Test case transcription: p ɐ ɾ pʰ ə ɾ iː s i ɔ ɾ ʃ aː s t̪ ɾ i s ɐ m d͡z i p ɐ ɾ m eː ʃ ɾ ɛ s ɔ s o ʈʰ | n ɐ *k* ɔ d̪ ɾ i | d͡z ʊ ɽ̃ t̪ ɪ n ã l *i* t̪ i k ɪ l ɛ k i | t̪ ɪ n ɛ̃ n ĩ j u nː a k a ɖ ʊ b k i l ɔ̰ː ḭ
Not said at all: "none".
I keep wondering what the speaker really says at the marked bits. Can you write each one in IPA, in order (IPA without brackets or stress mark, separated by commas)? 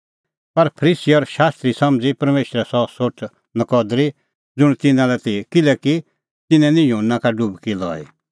k, ɛ